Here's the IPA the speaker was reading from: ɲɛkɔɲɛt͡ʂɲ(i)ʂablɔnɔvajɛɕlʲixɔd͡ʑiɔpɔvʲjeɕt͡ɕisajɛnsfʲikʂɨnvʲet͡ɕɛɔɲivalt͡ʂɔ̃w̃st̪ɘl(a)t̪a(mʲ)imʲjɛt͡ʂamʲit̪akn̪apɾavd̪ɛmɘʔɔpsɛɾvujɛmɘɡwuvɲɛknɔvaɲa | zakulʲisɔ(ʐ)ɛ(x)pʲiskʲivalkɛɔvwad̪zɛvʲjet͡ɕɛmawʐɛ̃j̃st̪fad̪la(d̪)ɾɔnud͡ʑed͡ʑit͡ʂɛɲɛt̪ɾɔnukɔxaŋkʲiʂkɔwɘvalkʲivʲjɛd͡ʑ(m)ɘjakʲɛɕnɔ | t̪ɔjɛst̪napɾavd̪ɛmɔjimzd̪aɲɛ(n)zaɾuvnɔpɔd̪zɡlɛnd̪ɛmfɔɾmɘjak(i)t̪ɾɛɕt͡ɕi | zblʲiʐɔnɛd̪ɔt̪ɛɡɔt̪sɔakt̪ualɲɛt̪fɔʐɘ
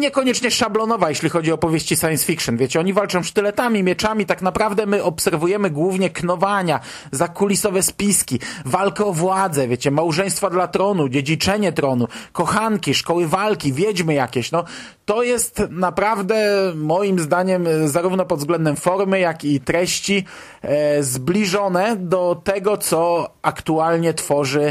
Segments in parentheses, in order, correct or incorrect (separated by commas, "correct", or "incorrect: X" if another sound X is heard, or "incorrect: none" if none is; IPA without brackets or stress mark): incorrect: ɛ, incorrect: ɛ, correct, incorrect: v, incorrect: s, incorrect: t̪, correct, incorrect: m, correct